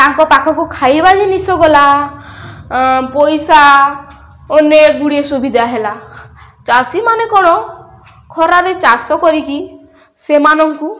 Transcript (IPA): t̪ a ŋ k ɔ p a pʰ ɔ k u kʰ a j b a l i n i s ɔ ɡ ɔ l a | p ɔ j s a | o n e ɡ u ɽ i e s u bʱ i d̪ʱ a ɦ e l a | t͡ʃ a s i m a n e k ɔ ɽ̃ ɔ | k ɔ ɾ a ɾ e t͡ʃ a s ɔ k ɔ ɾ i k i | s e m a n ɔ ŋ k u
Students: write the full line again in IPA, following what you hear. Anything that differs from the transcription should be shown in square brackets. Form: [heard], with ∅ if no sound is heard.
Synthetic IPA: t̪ a ŋ k ɔ p a [kʰ] ɔ k u kʰ a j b a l i n i s ɔ ɡ ɔ l a | p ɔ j s a | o n e ɡ u ɽ i e s u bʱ i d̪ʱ a ɦ e l a | t͡ʃ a s i m a n e k ɔ ɽ̃ ɔ | [kʰ] ɔ ɾ a ɾ e t͡ʃ a s ɔ k ɔ ɾ i k i | s e m a n ɔ ŋ k u